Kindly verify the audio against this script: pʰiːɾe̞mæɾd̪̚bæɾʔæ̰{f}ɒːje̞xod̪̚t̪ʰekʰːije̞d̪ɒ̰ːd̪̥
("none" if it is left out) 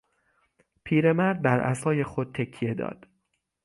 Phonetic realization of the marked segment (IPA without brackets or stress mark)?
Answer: s